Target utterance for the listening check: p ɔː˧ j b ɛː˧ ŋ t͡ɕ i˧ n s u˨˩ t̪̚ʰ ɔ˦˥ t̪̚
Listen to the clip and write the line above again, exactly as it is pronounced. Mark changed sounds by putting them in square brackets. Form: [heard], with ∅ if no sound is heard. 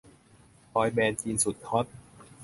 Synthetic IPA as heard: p ɔː˧ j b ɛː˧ [n] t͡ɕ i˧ n s u˨˩ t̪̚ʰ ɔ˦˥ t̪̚